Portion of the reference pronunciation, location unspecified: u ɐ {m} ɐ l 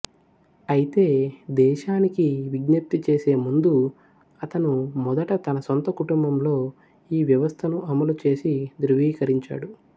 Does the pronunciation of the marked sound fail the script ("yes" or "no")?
no